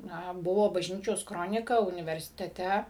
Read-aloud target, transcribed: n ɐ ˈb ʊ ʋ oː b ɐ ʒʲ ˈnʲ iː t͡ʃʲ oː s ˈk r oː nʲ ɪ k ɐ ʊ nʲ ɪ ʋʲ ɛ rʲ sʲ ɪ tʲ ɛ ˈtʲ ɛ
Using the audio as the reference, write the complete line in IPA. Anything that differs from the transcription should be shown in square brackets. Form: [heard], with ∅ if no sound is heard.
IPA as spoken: n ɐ ˈb ʊ ʋ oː b ɐ ʒʲ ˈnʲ iː t͡ʃʲ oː s ˈk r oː nʲ ɪ k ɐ ʊ nʲ ɪ ʋʲ ɛ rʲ sʲ ɪ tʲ ɛ ˈtʲ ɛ